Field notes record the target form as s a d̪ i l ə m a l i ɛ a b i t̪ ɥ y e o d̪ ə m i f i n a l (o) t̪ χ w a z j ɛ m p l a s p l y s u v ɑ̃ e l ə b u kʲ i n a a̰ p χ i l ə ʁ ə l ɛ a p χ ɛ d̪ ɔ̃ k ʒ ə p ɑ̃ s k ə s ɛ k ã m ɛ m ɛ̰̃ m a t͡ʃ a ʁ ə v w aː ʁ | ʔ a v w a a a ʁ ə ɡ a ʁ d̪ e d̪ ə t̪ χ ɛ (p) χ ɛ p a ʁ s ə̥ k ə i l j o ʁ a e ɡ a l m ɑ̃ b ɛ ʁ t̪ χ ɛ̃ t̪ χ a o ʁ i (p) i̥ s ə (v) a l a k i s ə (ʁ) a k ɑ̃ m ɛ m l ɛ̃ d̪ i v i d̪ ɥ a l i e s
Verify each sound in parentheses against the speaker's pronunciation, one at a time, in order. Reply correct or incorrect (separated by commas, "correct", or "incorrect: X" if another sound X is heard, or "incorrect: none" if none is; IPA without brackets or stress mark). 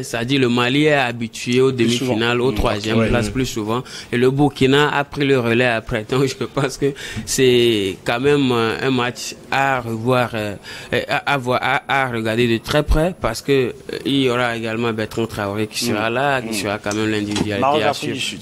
correct, correct, incorrect: k, incorrect: ʁ, correct